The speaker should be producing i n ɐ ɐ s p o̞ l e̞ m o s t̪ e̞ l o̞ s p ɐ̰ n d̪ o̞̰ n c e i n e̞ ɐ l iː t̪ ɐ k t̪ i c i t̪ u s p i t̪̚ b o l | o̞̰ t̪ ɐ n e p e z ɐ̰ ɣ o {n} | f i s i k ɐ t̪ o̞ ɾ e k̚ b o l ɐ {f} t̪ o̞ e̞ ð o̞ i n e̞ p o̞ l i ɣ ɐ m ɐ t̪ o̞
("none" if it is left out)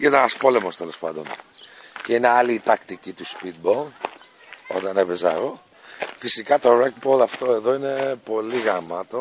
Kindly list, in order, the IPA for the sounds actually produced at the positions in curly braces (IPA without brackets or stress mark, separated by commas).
none, f